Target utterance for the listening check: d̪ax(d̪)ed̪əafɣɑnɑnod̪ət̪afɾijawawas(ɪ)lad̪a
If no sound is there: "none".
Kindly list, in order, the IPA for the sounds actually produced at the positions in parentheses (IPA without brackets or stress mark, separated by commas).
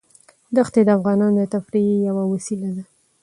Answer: t̪, i